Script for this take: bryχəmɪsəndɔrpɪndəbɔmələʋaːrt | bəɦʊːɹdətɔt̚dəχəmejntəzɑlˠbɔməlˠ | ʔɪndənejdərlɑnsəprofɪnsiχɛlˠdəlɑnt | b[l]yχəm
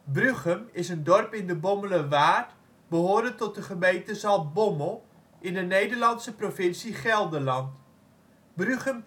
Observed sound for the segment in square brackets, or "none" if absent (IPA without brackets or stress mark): r